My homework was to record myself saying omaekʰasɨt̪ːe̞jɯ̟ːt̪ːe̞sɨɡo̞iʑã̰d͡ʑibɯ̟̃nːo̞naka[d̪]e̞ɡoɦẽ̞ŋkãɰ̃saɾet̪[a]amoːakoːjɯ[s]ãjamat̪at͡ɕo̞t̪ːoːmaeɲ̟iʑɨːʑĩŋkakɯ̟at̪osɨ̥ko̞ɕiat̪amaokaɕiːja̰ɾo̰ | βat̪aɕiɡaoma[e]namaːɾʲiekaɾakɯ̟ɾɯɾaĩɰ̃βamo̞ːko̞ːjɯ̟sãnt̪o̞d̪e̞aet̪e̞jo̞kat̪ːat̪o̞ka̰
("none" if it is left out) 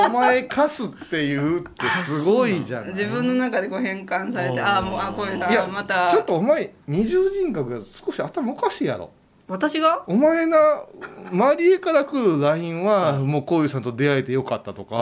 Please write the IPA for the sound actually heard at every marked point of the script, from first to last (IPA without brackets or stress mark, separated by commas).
d̪, e, s, e